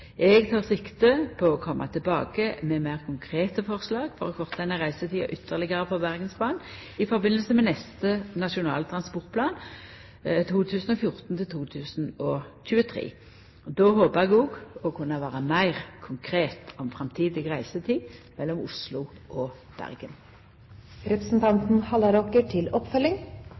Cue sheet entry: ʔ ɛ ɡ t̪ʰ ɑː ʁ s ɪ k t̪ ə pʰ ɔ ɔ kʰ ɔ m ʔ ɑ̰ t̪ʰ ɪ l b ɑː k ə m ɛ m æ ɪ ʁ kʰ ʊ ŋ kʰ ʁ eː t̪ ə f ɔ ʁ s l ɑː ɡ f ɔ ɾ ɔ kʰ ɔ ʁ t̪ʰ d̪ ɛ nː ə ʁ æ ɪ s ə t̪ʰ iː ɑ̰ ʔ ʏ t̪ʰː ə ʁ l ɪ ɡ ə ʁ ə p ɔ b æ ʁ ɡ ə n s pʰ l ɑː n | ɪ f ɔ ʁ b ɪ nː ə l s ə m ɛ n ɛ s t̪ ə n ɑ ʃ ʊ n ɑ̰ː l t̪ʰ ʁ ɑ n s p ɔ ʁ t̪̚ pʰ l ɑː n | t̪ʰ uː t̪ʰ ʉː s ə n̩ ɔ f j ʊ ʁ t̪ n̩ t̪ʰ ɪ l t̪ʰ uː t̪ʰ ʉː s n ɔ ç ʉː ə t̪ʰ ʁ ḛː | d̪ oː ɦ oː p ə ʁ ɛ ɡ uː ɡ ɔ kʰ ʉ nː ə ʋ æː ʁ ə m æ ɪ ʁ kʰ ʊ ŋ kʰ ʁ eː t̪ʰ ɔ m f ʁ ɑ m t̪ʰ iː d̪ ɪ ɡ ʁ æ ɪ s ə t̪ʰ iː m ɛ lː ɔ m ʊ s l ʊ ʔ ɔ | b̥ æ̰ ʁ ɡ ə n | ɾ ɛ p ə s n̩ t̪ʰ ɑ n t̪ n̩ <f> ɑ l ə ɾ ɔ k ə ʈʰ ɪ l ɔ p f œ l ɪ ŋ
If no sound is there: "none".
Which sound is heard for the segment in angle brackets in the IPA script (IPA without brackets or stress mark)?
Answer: h